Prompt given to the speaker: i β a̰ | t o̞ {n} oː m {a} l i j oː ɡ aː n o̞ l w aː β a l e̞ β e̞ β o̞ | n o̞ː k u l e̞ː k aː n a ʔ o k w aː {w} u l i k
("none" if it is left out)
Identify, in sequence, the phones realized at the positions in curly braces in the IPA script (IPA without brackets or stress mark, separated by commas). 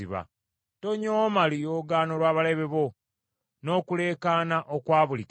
ɲ, a, β